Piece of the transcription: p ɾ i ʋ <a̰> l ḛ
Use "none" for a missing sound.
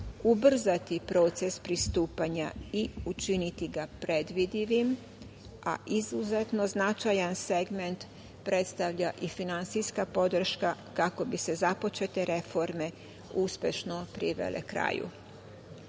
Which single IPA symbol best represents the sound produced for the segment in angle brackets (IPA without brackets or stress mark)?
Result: ḛ